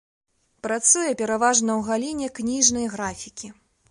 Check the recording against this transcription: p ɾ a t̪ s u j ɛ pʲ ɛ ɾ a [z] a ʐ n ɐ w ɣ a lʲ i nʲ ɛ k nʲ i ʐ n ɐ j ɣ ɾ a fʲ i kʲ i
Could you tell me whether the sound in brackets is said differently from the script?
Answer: yes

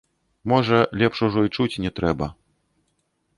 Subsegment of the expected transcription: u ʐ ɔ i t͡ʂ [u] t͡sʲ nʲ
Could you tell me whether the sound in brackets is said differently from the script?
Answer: no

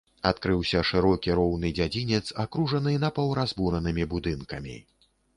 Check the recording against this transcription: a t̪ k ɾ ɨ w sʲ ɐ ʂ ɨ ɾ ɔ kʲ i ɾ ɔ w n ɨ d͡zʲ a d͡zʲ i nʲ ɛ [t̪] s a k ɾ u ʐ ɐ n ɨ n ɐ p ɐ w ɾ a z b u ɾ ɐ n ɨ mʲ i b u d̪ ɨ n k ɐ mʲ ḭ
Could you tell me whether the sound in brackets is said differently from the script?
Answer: no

